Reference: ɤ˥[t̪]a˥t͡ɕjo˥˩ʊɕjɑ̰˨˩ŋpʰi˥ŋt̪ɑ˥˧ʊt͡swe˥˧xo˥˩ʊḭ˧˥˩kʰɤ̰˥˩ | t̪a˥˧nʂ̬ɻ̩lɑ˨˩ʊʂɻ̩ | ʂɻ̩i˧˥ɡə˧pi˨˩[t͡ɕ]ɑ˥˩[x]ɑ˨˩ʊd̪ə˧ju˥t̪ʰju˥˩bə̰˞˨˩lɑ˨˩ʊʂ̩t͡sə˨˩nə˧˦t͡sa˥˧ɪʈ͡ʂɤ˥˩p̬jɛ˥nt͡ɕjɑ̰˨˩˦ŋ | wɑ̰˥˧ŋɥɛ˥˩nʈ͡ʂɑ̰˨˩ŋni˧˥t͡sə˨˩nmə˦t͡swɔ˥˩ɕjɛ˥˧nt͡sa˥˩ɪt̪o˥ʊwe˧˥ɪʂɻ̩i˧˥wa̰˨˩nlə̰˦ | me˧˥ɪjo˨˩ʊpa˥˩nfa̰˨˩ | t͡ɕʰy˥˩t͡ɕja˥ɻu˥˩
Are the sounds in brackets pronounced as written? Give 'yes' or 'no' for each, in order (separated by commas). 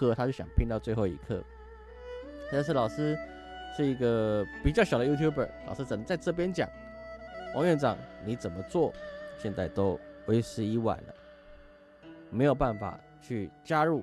no, yes, no